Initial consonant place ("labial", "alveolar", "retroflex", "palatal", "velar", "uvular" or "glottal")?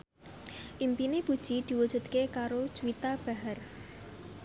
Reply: glottal